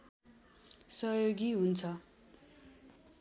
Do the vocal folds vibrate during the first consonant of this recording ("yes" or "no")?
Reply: no